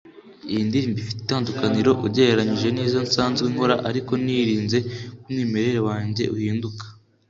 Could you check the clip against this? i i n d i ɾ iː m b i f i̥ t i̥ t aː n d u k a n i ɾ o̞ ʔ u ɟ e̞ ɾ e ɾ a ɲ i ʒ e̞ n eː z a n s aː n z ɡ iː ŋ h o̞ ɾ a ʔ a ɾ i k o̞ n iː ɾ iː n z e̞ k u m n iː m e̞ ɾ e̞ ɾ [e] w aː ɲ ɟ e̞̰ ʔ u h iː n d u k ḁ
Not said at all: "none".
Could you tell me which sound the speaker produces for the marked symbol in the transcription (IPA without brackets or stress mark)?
e